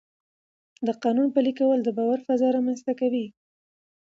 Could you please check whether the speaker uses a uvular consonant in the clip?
yes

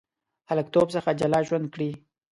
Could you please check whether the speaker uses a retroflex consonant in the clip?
yes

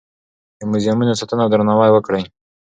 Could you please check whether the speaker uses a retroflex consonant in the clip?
yes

